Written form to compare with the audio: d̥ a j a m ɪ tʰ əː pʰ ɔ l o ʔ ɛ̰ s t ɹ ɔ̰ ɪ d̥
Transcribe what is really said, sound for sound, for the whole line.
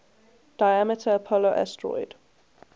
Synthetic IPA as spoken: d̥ a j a m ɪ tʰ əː pʰ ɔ l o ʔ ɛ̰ s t ɹ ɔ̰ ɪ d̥